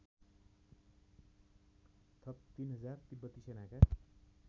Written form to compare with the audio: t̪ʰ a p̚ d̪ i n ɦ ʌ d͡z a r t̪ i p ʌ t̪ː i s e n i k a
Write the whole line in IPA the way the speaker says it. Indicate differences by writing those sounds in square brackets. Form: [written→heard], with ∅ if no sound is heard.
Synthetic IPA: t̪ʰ [a→ʌ] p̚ [d̪→t̪] i n ɦ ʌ d͡z a r t̪ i [p→b] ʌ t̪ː i s e n [i→a] k a